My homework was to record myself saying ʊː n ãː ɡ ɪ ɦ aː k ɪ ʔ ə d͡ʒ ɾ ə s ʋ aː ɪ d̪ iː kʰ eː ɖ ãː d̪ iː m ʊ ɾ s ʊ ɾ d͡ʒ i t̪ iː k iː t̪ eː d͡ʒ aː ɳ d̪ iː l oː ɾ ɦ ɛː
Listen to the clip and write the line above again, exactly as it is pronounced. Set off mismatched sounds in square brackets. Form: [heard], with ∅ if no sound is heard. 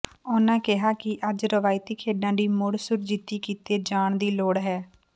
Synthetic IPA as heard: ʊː n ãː [k] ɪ ɦ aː k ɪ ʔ ə d͡ʒ ɾ ə [∅] ʋ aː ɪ [t̪] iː kʰ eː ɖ ãː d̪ iː m ʊ [ɽ] s ʊ ɾ d͡ʒ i t̪ iː k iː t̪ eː d͡ʒ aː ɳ d̪ iː l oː [ɽ] ɦ ɛː